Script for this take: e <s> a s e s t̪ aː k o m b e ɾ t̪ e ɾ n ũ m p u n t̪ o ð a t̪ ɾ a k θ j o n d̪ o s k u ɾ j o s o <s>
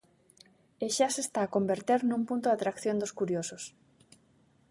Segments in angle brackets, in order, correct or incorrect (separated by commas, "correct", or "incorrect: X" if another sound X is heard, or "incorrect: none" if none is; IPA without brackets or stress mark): incorrect: ʃ, correct